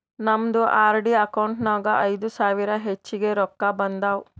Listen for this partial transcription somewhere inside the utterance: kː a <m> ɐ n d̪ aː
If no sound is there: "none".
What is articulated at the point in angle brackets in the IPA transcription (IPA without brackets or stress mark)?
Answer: b